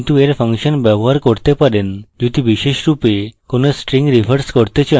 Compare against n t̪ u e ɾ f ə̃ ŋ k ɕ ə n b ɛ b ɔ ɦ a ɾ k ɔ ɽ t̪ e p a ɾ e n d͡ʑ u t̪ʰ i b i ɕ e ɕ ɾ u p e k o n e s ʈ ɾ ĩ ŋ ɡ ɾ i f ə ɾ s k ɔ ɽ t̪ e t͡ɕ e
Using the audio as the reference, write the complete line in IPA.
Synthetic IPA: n t̪ u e ɾ f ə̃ ŋ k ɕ ə n b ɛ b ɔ ɦ a ɾ k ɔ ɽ t̪ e p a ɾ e n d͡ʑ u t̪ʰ i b i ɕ e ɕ ɾ u p e k o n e s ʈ ɾ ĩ ŋ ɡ ɾ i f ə ɾ s k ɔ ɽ t̪ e t͡ɕ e